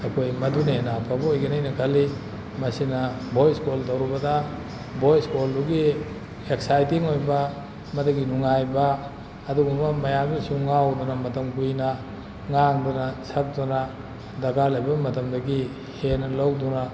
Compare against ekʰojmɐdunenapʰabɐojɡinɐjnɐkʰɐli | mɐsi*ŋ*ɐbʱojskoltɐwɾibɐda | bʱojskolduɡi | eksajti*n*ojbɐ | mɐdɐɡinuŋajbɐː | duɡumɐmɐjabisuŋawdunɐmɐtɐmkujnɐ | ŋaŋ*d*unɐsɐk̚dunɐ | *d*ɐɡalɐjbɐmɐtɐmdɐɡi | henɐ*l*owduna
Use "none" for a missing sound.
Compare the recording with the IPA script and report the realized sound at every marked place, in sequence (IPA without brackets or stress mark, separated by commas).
n, ŋ, d, d, l